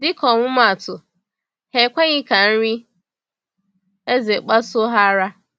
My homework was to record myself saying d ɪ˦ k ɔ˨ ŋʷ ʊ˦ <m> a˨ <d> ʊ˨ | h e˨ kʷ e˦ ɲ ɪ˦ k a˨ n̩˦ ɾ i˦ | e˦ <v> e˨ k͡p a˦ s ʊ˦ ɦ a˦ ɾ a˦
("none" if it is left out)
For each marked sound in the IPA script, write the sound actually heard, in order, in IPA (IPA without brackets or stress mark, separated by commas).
m, t, z